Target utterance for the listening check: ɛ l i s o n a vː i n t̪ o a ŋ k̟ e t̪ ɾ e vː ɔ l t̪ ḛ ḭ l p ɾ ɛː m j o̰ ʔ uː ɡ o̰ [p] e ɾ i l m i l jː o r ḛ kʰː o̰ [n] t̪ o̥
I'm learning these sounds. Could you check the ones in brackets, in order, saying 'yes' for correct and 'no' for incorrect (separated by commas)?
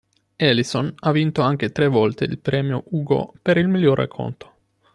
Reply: yes, yes